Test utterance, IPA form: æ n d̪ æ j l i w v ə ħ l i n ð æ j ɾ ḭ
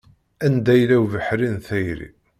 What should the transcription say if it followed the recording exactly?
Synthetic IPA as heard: æ n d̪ æ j l æ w v ə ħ ɾ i n θ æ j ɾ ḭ